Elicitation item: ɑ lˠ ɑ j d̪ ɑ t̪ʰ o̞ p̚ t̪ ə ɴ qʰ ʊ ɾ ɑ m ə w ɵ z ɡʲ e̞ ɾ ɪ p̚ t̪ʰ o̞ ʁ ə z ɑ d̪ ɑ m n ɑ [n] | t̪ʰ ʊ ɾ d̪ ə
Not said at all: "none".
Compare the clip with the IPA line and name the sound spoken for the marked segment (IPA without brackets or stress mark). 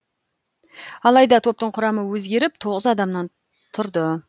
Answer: n